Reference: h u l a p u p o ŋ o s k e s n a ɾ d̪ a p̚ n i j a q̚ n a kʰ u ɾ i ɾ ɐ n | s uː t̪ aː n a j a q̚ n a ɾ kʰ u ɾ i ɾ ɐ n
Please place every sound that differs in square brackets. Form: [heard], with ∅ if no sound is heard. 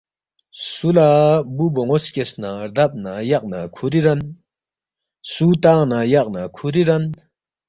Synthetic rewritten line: [s] u l a [b] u [b] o ŋ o s k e s n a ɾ d̪ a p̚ n [a] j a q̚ n a kʰ u ɾ i ɾ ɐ n | s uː t̪ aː n a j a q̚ n a [∅] kʰ u ɾ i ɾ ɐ n